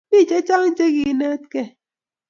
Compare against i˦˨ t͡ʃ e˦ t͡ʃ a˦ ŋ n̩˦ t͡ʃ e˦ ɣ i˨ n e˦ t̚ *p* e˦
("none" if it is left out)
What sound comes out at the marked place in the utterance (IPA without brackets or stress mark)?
k